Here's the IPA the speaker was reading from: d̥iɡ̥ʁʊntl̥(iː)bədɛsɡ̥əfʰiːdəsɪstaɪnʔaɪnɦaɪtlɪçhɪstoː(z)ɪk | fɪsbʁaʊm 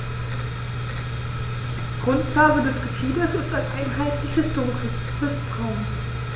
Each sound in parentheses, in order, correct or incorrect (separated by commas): incorrect, incorrect